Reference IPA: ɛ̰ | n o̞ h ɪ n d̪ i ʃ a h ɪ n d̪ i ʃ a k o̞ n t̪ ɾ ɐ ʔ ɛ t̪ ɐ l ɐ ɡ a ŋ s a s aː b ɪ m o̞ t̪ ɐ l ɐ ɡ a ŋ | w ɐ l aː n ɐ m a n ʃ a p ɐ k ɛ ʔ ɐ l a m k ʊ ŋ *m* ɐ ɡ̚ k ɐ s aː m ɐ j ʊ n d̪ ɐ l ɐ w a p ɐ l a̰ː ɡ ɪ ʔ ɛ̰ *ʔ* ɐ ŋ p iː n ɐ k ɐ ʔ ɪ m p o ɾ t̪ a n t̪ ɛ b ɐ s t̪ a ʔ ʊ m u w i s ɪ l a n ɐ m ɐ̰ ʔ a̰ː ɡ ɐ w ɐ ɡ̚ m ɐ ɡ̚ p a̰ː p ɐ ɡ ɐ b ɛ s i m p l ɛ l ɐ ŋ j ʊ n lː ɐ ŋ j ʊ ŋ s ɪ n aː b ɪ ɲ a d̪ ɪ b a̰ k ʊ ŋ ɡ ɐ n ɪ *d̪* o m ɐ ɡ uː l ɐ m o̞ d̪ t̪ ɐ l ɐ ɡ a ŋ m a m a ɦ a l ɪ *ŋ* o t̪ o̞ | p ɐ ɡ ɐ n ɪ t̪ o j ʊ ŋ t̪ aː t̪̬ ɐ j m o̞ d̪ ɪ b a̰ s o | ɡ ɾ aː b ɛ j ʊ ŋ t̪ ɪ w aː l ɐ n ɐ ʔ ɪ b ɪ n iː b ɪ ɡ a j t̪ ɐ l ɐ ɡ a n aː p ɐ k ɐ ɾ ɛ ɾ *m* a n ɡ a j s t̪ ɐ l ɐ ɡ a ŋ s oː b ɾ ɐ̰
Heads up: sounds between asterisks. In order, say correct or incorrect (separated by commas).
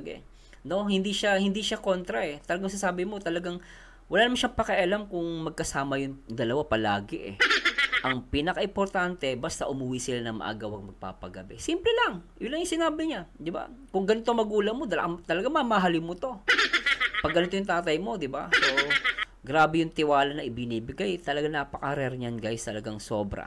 correct, correct, incorrect, incorrect, incorrect